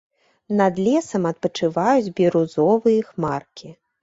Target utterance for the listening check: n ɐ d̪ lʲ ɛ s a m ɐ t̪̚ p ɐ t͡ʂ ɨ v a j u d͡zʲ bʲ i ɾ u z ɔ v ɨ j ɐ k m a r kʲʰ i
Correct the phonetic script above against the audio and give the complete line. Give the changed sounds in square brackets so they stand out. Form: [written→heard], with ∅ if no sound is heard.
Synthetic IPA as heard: n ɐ d̪ lʲ ɛ s [a→ɐ] m ɐ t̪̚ p ɐ t͡ʂ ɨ v a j u d͡zʲ bʲ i ɾ u z ɔ v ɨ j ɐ [k→x] m a r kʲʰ i